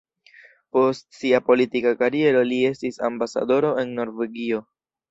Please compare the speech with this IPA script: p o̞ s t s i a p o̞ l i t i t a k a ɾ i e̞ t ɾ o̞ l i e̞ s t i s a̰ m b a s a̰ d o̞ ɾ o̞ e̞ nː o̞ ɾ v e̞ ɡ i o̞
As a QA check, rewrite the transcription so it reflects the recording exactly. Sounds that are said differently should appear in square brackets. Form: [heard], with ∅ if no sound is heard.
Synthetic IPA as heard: p o̞ s t s i a p o̞ l i t i [k] a k a ɾ i e̞ [∅] ɾ o̞ l i e̞ s t i s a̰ m b a s a̰ d o̞ ɾ o̞ e̞ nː o̞ ɾ v e̞ ɡ i o̞